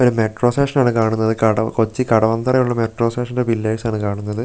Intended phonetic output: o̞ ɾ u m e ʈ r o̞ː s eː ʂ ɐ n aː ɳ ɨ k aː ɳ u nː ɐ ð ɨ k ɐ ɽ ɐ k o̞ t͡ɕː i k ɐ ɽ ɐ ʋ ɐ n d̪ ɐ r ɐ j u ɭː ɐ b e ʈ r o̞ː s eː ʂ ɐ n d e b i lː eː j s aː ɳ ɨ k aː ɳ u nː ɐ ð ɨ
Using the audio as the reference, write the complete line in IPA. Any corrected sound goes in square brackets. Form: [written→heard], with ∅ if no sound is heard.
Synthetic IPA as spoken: o̞ ɾ u m e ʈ r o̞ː s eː ʂ ɐ n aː ɳ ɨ k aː ɳ u nː ɐ ð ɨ k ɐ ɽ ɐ k o̞ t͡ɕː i k ɐ ɽ ɐ ʋ ɐ n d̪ ɐ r ɐ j u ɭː ɐ [b→m] e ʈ r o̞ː s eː ʂ ɐ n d e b i lː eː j s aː ɳ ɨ k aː ɳ u nː ɐ ð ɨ